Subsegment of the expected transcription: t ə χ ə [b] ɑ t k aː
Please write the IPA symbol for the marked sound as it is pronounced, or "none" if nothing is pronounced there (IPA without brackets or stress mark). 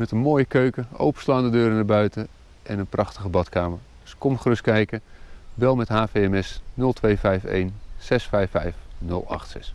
b